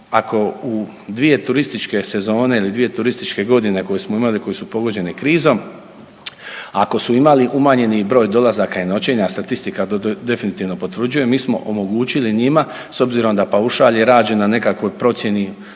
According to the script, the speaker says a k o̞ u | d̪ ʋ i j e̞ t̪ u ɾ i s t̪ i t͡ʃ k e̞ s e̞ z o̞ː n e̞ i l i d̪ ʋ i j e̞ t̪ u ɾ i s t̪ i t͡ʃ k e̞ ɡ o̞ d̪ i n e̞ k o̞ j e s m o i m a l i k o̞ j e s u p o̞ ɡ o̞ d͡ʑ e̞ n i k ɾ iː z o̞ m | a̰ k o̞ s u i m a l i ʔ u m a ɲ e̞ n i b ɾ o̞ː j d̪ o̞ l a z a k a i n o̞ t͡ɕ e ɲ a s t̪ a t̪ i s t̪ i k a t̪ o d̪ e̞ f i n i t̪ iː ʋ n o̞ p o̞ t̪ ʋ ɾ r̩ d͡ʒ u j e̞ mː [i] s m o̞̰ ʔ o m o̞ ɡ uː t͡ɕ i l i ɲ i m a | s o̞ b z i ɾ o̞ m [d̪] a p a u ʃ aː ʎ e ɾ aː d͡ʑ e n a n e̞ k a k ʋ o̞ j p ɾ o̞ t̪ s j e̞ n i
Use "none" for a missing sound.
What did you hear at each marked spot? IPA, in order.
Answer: iː, d̪

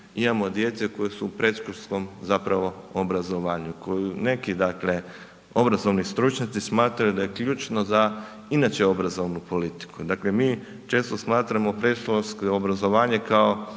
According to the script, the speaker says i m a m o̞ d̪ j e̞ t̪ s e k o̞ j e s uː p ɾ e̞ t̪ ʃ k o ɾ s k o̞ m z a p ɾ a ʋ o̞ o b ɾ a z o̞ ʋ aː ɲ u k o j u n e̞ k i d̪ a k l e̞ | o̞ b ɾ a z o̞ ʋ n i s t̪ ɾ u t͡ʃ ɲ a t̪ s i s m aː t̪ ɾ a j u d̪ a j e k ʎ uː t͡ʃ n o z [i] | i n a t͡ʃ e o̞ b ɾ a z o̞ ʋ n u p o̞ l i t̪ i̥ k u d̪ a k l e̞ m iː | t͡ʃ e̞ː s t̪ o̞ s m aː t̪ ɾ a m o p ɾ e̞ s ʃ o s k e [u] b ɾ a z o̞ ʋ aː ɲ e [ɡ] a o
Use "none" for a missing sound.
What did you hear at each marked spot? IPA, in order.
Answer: a, o, k

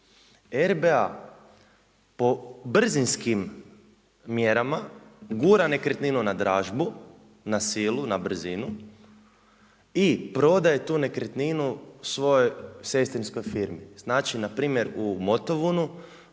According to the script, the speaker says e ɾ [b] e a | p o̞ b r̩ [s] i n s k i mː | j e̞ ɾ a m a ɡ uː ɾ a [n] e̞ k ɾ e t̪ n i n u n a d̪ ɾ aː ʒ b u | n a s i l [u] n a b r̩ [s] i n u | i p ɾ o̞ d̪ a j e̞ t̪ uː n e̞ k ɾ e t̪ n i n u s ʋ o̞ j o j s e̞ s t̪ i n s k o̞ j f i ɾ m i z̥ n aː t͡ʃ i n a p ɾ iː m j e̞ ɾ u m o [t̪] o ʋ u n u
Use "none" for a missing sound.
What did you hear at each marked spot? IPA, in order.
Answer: b, z, n, u, z, t̪

